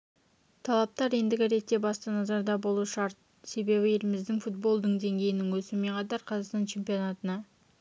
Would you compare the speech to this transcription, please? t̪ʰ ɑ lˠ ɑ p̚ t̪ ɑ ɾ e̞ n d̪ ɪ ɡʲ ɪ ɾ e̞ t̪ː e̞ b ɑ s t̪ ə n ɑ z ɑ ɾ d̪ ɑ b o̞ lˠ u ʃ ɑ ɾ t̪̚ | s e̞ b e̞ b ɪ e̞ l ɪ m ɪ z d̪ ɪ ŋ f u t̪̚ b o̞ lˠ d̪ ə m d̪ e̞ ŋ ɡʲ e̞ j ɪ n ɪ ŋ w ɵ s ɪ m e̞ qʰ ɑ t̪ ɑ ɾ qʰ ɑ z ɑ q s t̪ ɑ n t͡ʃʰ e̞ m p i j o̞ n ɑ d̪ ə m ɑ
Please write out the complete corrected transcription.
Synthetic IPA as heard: t̪ʰ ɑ lˠ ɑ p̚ t̪ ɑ ɾ e̞ n d̪ ɪ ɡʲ ɪ ɾ e̞ t̪ː e̞ b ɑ s t̪ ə n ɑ z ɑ ɾ d̪ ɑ b o̞ lˠ u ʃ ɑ ɾ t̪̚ | s e̞ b e̞ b ɪ e̞ l ɪ m ɪ z d̪ ɪ ŋ f u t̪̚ b o̞ lˠ d̪ ə ɴ d̪ e̞ ŋ ɡʲ e̞ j ɪ n ɪ ŋ w ɵ s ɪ m e̞ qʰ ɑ t̪ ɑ ɾ qʰ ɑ z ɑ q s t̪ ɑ n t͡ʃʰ e̞ m p i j o̞ n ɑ t̪ ə n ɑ

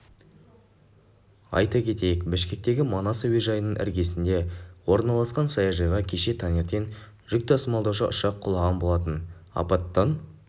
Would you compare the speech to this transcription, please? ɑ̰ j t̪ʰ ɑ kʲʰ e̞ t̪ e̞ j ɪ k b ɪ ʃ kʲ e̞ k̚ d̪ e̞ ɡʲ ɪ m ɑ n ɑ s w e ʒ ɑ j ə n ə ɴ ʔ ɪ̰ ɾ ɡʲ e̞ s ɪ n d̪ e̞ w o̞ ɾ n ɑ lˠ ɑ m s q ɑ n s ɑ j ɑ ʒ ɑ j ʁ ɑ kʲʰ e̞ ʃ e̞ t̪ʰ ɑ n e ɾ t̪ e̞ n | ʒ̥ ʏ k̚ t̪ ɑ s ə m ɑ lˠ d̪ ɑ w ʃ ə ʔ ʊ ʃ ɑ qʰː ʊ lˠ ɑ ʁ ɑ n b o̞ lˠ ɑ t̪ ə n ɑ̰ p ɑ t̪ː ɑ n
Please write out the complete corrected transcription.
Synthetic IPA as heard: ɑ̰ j t̪ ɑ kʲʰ e̞ t̪ e̞ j ɪ k b ɪ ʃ kʲ e̞ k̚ t̪ e̞ ɡʲ ɪ m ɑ n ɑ s w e ʒ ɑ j ə n ə ɴ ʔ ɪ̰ ɾ ɡʲ e̞ s ɪ n d̪ e̞ w o̞ ɾ n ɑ lˠ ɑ s q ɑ n s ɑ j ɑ ʒ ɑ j ʁ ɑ kʲʰ e̞ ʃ e̞ t̪ʰ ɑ n e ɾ t̪ e̞ n | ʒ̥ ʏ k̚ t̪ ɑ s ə m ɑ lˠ d̪ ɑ w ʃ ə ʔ ʊ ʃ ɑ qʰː ʊ lˠ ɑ ʁ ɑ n b o̞ lˠ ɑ t̪ ə n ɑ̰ p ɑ t̪ː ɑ n

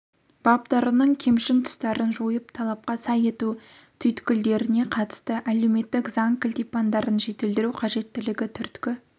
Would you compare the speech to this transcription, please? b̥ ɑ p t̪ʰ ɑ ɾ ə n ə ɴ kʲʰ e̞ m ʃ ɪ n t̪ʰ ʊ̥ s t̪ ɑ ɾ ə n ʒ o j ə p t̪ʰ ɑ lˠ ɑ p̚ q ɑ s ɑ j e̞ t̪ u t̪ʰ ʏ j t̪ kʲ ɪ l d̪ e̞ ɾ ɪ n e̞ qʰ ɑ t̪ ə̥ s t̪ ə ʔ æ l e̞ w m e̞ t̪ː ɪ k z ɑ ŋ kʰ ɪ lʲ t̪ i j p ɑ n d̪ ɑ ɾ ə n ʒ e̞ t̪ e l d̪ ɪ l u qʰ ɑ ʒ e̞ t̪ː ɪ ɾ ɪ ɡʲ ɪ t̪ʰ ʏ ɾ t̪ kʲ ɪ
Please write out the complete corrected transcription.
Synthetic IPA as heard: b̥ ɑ p t̪ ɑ ɾ ə n ə ɴ kʲʰ e̞ m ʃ ɪ n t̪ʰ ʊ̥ s t̪ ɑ ɾ ə n ʒ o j ə p t̪ʰ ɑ lˠ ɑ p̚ q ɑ s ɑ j e̞ t̪ u t̪ʰ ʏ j t̪ kʲ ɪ l d̪ e̞ ɾ ɪ n e̞ qʰ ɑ t̪ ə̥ s t̪ ə ʔ æ l e̞ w m e̞ t̪ː ɪ k z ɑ ŋ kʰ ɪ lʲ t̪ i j p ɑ n d̪ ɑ ɾ ə n ʒ e̞ t̪ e l d̪ ɪ ɾ u qʰ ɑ ʒ e̞ t̪ː ɪ l ɪ ɡʲ ɪ t̪ʰ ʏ ɾ t̪ kʲ ɪ

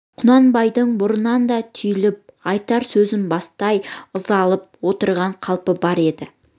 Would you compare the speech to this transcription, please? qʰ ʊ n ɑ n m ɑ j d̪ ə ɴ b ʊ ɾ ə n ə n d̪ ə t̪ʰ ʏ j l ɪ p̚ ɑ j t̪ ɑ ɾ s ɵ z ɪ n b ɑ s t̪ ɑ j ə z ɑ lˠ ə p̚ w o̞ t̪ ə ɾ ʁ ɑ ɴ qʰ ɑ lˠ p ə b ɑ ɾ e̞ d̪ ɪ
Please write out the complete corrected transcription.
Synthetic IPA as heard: qʰ ʊ n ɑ n b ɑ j d̪ ə ɴ b ʊ ɾ ə n ɑ n d̪ ɑ t̪ʰ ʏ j l ɪ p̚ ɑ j t̪ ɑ ɾ s ɵ z ɪ n b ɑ s t̪ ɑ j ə z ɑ lˠ ə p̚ w o̞ t̪ ə ɾ ʁ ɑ ɴ qʰ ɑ lˠ p ə b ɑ ɾ e̞ d̪ ɪ

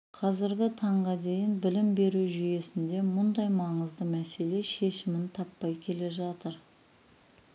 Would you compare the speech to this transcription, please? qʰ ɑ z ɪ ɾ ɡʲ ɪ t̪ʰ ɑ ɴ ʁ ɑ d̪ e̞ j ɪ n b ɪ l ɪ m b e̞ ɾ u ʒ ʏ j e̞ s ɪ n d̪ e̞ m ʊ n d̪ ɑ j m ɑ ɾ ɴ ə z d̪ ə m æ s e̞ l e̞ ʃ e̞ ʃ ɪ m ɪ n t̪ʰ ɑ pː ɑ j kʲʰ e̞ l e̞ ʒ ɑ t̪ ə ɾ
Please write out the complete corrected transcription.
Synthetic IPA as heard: qʰ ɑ z ɪ ɾ ɡʲ ɪ t̪ʰ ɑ ɴ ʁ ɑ d̪ e̞ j ɪ n b ɪ l ɪ m b e̞ ɾ u ʒ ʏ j e̞ s ɪ n d̪ e̞ m ʊ n d̪ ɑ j m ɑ ɴ ə z d̪ ə m æ s e̞ l e̞ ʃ e̞ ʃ ɪ m ɪ n t̪ʰ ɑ pː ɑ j kʲʰ e̞ l e̞ ʒ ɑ t̪ ə ɾ

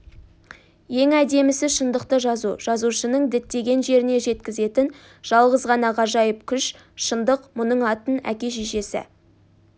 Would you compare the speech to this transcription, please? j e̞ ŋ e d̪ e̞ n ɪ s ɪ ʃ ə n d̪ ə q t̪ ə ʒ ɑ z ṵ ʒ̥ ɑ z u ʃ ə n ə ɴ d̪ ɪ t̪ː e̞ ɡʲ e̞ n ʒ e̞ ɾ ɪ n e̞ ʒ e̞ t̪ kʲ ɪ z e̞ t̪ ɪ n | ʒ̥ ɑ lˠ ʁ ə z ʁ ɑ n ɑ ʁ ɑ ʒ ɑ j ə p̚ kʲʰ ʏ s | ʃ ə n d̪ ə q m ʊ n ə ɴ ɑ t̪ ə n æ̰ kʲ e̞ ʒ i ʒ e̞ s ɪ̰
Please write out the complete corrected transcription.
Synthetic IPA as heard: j e̞ ŋ æ d̪ e̞ m ɪ s ɪ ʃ ə n d̪ ə q t̪ ə ʒ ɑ z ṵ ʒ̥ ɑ z u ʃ ə n ə ɴ d̪ ɪ t̪ː e̞ ɡʲ e̞ n ʒ e̞ ɾ ɪ n e̞ ʒ e̞ t̪ kʲ ɪ z e̞ t̪ ɪ n | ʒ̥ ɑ lˠ ʁ ə z ʁ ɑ n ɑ ʁ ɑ ʒ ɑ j ə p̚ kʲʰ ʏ ʃ | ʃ ə n d̪ ə q m ʊ n ə ɴ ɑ t̪ ə n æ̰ kʲ e̞ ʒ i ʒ e̞ s ɪ̰

